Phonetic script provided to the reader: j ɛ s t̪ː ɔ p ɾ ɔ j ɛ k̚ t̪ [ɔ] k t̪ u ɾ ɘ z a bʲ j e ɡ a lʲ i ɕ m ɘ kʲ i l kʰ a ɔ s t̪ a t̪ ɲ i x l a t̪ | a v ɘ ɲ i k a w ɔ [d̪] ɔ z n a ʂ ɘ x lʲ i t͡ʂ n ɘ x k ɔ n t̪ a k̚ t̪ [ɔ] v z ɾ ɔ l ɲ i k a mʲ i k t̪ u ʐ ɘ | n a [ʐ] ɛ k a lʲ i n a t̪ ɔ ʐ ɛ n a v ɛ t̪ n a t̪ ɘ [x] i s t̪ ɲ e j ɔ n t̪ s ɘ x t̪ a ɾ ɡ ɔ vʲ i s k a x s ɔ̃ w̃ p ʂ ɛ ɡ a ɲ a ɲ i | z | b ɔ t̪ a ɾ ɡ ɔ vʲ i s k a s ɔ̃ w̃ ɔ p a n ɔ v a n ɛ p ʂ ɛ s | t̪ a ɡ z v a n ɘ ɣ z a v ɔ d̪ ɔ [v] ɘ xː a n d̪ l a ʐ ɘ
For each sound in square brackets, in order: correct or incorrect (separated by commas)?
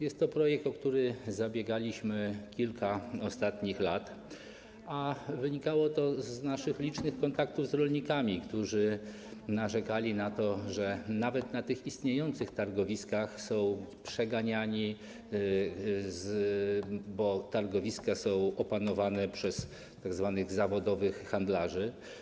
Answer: correct, incorrect, incorrect, correct, correct, correct